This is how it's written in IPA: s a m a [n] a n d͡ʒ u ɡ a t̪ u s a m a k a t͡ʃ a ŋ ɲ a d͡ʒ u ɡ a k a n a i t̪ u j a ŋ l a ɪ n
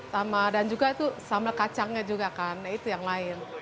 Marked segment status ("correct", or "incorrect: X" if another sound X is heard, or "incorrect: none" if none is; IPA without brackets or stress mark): incorrect: d